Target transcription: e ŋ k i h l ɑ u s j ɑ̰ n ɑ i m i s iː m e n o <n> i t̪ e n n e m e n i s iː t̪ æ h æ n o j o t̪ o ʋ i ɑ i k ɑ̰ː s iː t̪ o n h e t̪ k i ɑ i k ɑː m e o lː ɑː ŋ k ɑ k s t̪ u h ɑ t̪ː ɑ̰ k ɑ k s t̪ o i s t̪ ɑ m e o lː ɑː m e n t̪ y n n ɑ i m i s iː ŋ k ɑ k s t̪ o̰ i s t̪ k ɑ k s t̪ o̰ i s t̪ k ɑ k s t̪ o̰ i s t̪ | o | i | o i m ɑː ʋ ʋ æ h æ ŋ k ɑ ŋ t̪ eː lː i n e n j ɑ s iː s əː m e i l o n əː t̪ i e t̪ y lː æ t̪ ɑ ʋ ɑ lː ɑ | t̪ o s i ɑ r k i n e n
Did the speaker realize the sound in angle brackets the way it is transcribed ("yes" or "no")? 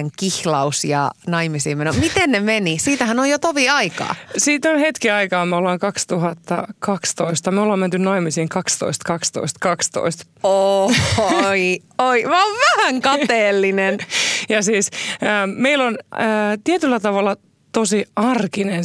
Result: no